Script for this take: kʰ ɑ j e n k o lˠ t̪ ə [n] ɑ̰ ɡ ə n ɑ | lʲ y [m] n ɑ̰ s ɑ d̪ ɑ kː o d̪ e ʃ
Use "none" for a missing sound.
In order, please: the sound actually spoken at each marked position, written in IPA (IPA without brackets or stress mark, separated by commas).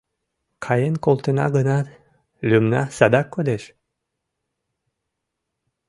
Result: n, m